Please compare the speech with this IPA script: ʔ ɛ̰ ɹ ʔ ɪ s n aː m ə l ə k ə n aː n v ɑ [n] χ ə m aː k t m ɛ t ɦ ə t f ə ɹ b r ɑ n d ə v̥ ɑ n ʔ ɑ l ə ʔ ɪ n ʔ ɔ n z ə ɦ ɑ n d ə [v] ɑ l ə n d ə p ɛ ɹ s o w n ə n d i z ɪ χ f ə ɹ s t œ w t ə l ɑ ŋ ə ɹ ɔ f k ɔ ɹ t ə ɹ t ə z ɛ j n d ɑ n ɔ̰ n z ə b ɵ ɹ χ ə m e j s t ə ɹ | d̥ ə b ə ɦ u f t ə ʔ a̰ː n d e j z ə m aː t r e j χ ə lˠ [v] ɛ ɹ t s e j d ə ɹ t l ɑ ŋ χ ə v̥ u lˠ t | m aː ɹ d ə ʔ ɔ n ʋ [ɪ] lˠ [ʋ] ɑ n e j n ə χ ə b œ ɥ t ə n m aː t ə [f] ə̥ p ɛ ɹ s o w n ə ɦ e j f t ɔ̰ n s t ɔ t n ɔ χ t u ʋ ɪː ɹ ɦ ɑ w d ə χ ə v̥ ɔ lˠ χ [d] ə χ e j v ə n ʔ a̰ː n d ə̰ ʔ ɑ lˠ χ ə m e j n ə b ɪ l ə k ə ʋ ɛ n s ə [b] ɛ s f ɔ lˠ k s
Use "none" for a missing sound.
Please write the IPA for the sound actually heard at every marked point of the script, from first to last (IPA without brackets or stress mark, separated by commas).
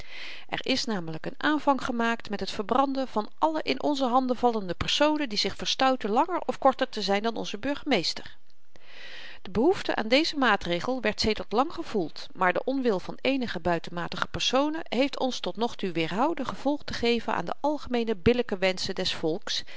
ŋ, v, ʋ, ɪ, v, χ, t, d